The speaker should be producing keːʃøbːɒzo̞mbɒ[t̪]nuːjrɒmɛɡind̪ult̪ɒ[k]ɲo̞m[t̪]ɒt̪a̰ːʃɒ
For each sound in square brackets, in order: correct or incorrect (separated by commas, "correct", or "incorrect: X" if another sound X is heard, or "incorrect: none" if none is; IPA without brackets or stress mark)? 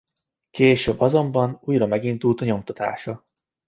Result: incorrect: none, incorrect: none, correct